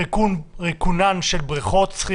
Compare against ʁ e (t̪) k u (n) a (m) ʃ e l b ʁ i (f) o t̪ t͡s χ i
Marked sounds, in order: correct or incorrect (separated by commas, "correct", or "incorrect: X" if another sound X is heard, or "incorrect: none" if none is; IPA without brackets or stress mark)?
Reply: incorrect: none, correct, incorrect: n, incorrect: χ